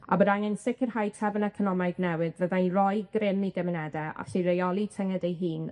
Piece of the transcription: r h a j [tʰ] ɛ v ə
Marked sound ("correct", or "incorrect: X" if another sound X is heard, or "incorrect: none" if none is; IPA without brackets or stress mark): correct